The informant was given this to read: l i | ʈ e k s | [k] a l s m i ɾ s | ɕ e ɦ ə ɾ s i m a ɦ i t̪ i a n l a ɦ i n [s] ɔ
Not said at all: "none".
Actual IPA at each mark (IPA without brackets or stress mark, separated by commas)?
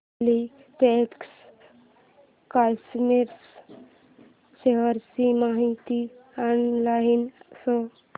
k, s